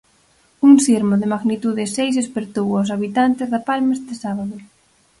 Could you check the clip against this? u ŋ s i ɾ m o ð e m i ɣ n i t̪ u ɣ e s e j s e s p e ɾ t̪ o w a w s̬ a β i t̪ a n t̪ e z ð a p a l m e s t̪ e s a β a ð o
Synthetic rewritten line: u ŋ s i ɾ m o ð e m a ɣ n i t̪ u ð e s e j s e s p e ɾ t̪ o w a w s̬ a β i t̪ a n t̪ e z ð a p a l m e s t̪ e s a β a ð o